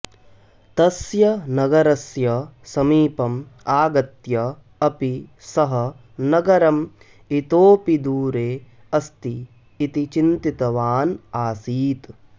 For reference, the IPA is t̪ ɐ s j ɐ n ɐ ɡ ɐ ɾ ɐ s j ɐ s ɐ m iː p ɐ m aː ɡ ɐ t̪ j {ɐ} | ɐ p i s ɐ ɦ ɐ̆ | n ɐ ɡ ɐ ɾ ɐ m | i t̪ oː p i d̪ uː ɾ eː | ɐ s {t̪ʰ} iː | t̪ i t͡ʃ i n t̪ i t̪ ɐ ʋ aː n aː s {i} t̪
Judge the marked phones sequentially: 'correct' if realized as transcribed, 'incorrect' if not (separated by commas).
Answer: correct, incorrect, incorrect